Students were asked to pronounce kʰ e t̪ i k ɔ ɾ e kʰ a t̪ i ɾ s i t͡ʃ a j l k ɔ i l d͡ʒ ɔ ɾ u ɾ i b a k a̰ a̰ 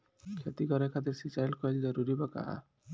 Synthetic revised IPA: kʰ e t̪ i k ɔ ɾ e kʰ a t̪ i ɾ s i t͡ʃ a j l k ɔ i l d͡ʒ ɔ ɾ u ɾ i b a k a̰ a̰